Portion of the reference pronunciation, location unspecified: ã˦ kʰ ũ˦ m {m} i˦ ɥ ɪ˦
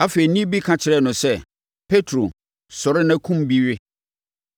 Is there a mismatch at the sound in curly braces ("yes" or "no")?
yes